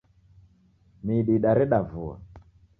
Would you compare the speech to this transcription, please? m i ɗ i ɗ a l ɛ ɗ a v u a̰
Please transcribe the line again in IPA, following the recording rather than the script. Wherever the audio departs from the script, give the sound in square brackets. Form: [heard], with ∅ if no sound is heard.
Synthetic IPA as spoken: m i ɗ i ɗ a [ɾ] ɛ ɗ a v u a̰